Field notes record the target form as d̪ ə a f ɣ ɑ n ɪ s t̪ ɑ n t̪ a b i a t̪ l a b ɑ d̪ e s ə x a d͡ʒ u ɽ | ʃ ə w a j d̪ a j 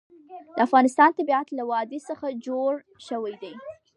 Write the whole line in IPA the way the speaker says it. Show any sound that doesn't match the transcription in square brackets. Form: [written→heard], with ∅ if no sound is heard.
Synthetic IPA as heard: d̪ ə a f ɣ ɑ n ɪ s t̪ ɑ n t̪ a b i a t̪ l a [b→w] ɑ d̪ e s ə x a d͡ʒ [u→o] ɽ | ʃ ə w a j d̪ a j